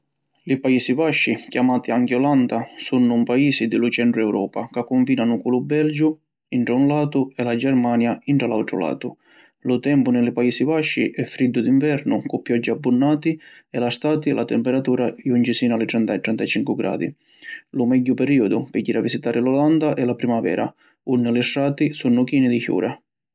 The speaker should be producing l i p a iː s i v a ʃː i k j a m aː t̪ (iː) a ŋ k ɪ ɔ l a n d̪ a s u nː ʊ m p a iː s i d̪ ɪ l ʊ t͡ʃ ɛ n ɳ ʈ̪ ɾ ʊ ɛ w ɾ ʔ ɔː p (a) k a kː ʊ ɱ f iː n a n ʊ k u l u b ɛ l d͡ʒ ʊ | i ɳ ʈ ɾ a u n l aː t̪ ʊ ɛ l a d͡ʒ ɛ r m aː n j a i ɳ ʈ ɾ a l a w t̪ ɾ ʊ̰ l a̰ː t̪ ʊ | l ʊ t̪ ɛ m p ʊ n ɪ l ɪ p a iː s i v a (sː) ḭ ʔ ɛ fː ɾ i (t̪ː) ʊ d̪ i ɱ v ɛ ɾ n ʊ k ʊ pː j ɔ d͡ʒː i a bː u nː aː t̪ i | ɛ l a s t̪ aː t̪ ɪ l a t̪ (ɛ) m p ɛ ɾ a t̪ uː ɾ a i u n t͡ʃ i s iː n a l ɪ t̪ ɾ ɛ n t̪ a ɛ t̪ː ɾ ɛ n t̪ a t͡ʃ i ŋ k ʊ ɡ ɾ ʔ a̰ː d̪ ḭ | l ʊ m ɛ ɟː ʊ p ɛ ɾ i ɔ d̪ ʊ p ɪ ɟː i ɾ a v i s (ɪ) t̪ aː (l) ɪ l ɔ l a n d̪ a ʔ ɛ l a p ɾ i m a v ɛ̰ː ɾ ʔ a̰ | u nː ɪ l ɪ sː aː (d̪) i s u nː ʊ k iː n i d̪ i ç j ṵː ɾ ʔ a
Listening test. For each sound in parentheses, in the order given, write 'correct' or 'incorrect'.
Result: incorrect: i, correct, incorrect: ʃː, incorrect: d̪ː, correct, incorrect: i, incorrect: ɾ, incorrect: t̪

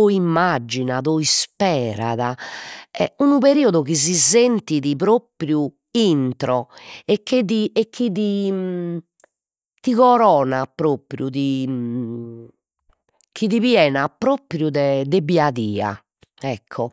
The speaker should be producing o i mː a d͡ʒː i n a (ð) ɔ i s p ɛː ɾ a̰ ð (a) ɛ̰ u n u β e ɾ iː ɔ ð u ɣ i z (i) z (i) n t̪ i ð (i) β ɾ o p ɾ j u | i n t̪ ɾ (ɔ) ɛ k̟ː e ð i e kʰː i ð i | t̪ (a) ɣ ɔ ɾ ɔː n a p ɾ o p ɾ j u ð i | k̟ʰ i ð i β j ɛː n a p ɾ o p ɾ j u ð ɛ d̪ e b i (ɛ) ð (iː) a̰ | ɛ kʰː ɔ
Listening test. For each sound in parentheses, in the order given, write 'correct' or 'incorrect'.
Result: correct, correct, correct, incorrect: e, correct, correct, incorrect: i, incorrect: a, correct

